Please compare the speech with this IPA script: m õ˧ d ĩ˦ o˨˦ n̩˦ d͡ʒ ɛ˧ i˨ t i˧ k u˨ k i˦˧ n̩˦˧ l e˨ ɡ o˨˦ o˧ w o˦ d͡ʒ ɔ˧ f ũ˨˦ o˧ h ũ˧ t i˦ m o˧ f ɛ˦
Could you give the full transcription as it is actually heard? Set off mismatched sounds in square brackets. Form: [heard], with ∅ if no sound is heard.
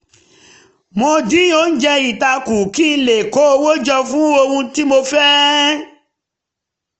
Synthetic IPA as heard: m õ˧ d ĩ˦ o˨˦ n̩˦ d͡ʒ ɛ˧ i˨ t [a˧] k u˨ k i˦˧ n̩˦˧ l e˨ [k] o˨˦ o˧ w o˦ d͡ʒ ɔ˧ f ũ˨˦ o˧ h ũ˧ t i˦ m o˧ f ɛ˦